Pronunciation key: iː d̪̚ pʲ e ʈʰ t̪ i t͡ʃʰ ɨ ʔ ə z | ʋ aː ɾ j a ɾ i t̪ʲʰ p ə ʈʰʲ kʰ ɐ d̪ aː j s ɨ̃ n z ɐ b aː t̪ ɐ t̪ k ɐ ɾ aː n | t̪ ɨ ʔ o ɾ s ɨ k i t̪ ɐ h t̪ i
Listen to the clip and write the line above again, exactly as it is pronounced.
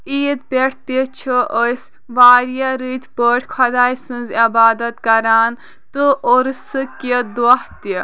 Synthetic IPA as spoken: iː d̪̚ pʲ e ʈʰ t̪ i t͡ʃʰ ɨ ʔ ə s | ʋ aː ɾ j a ɾ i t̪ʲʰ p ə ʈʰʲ kʰ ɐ d̪ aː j s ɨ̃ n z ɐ b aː d̪ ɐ t̪ k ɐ ɾ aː n | t̪ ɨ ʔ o ɾ s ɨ k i d̪ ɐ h t̪ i